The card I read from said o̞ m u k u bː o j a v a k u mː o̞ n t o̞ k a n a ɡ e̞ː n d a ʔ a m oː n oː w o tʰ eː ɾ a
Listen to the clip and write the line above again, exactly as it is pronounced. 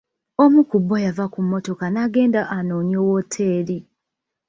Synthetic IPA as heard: o̞ m u k u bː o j a v a k u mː o̞ t o̞ k a n a ɡ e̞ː n d a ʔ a n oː ɲ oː w o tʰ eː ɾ i